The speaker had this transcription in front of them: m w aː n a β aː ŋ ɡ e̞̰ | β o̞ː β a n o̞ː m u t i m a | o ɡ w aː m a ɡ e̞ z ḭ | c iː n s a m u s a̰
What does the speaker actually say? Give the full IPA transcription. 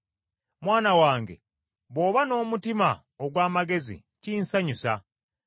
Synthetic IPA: m w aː n a w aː ŋ ɡ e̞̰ | β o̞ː β a n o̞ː m u t i m a | o ɡ w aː m a ɡ e̞ z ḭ | c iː n s a ɲ u s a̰